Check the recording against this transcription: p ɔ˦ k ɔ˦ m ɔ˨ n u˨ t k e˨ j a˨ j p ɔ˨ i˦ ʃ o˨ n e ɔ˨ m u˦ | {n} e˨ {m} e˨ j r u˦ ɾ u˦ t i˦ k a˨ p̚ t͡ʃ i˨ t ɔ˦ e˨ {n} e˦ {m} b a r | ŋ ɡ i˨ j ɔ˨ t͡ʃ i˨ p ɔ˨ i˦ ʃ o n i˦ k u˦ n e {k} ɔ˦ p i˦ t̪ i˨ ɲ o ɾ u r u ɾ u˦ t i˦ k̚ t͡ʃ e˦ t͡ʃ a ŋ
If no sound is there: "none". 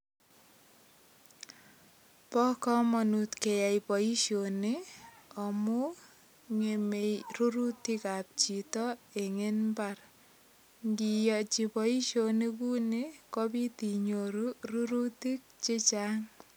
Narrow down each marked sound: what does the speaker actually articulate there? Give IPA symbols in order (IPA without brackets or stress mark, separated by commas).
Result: ŋ, m, ŋ, n, k